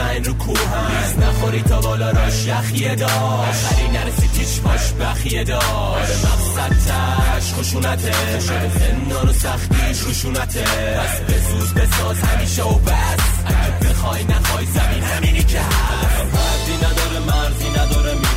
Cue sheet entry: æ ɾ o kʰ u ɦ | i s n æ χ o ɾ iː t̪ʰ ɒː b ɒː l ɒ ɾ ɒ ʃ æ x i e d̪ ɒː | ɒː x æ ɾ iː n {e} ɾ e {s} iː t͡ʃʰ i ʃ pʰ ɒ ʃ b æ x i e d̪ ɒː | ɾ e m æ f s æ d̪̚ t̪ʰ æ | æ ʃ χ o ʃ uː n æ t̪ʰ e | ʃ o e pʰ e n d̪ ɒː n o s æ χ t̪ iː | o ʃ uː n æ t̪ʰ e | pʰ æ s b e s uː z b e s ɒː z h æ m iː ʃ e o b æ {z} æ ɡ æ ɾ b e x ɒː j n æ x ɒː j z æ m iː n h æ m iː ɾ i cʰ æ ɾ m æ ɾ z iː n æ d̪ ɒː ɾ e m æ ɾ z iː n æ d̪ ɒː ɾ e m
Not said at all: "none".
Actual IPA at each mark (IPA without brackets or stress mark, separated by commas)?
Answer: æ, s, s